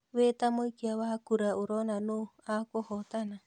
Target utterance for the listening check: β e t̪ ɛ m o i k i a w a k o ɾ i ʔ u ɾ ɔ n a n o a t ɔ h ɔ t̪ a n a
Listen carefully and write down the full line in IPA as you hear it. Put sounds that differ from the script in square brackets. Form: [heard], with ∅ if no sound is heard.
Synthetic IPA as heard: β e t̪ [a] m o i k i a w a k [u] ɾ [a] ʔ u ɾ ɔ n a n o a [k] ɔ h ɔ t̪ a n a